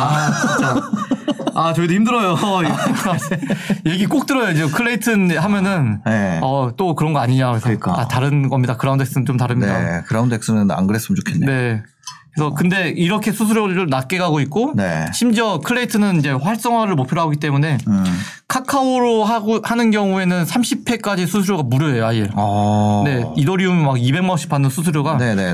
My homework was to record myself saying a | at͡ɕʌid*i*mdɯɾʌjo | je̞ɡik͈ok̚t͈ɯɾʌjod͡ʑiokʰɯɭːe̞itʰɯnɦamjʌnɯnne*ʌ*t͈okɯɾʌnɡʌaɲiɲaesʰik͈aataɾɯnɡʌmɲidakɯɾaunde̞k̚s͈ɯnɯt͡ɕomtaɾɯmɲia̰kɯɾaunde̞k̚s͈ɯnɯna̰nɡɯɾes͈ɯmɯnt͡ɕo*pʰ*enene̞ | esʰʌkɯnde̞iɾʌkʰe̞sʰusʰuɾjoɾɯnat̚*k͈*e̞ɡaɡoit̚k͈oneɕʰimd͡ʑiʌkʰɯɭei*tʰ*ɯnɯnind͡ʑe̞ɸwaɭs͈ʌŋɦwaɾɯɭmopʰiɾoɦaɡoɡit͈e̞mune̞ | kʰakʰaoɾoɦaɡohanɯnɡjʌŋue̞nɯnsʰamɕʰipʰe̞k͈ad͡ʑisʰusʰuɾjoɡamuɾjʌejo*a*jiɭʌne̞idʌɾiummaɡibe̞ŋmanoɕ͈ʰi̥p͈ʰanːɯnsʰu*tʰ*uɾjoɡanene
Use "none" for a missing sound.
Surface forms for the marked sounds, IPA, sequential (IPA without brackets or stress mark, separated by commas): i, ʌ, kʰ, k͈, tʰ, a, sʰ